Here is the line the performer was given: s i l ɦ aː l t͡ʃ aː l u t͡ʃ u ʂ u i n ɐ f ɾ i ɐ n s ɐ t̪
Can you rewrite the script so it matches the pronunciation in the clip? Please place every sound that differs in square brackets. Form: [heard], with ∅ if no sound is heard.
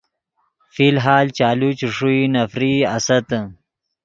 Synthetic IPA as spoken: [f] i l ɦ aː l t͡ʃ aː l u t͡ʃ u ʂ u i n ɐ f ɾ i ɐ [∅] s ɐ t̪